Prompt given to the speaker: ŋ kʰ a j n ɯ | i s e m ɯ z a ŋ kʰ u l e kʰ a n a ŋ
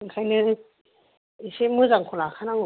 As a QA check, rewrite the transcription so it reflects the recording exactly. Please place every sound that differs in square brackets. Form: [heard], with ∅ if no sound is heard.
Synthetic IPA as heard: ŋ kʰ a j n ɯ | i s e m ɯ z a ŋ kʰ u l [a] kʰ a n a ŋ